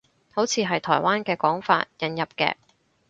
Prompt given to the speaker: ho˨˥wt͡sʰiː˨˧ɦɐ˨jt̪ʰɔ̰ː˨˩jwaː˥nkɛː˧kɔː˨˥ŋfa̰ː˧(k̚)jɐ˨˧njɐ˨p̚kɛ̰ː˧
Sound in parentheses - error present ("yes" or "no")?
yes